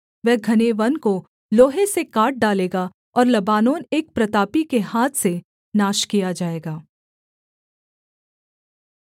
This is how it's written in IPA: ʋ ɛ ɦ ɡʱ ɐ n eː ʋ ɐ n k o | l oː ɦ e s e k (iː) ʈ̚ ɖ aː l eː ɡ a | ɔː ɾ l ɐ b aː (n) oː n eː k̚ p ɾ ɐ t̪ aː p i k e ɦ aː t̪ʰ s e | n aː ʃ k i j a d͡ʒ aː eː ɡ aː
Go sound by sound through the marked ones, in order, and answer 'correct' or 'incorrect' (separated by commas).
incorrect, correct